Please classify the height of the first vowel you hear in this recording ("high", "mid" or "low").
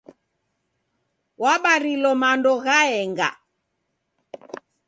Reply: low